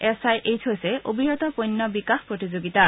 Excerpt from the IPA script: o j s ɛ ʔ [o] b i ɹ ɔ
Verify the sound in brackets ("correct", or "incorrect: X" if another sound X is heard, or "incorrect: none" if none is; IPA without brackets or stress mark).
correct